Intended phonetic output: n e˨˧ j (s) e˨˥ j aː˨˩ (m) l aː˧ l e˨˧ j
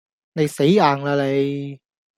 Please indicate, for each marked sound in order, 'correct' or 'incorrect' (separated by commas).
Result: correct, incorrect